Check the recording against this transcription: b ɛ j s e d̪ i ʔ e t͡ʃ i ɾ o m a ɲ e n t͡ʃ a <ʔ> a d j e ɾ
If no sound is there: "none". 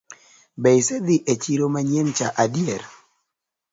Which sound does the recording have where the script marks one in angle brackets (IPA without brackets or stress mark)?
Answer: ʔ